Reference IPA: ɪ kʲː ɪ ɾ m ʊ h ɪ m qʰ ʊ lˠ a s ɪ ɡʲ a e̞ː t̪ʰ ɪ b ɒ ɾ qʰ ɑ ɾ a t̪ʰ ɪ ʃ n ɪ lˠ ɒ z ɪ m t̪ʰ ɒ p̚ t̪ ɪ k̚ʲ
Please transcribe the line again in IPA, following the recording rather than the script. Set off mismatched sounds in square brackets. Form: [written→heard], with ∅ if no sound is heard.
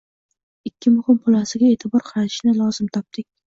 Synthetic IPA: ɪ kʲː ɪ [ɾ→∅] m ʊ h ɪ m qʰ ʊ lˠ a s ɪ ɡʲ a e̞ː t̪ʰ ɪ b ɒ ɾ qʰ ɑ ɾ a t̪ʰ ɪ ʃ n ɪ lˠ ɒ z ɪ m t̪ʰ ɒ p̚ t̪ ɪ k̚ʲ